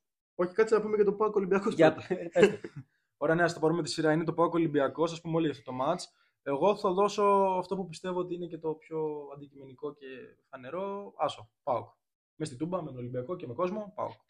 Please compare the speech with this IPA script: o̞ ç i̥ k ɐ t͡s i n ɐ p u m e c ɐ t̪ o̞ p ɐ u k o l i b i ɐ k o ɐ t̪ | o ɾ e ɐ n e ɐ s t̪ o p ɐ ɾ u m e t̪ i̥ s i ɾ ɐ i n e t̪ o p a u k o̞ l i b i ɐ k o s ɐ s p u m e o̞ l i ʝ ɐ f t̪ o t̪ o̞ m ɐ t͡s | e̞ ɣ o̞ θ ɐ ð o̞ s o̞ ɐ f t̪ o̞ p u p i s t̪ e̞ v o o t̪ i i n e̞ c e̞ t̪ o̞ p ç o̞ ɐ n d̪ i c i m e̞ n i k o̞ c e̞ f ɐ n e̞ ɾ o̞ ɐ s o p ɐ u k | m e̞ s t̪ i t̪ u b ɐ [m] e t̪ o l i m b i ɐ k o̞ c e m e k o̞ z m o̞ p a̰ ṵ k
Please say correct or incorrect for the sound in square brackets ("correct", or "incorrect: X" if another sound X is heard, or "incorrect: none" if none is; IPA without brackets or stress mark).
correct